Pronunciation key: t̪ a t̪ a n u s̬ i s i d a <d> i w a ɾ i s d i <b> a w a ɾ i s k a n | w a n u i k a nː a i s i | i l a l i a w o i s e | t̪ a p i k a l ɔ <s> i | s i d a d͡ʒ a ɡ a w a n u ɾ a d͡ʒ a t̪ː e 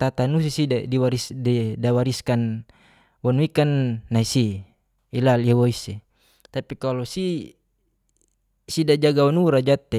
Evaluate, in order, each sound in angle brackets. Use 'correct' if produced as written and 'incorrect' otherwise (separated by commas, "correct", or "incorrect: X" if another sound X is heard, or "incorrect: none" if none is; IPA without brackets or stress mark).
correct, incorrect: d, correct